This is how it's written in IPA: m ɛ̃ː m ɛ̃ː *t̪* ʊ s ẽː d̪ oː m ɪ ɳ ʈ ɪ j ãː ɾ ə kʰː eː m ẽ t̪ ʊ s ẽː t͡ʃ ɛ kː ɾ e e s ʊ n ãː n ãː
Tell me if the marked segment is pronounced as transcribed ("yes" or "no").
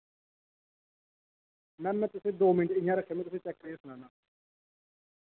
yes